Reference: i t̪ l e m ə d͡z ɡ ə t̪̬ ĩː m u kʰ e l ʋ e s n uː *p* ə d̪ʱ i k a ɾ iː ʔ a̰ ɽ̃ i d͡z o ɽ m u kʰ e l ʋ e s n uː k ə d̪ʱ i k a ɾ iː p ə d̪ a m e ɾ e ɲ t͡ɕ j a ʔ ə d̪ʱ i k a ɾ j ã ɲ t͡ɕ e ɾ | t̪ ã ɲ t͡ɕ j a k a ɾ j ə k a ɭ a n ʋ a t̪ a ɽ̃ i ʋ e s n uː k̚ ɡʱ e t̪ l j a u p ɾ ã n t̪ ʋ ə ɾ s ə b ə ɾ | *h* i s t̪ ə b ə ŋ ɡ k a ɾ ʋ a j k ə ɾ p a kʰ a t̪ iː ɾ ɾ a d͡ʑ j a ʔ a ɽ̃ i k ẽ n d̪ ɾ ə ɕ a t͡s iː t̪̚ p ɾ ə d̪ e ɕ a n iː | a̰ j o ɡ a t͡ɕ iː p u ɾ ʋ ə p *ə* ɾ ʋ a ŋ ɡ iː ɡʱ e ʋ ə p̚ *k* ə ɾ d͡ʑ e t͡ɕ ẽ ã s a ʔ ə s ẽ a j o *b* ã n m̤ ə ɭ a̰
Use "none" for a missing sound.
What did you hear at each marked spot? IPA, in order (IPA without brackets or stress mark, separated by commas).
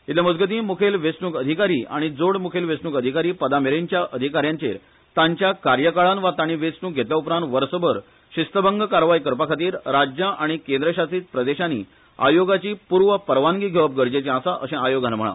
k, ɕ, ə, ɡ, ɡ